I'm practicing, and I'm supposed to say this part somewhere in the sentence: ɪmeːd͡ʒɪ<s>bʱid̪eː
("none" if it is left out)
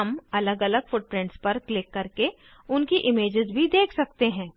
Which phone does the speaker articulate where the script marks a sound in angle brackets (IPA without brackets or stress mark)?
z